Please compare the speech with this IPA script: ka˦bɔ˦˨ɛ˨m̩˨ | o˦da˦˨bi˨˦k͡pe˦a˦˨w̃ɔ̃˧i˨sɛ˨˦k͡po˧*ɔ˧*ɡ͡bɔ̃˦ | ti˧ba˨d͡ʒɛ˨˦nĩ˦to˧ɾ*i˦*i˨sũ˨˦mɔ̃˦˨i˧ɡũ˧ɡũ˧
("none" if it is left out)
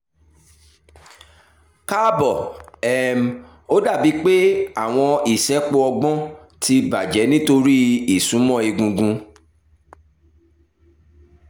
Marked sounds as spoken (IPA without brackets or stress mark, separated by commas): ɔ˧, i˦